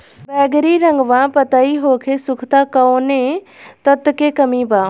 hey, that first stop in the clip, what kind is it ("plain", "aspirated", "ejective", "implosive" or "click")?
plain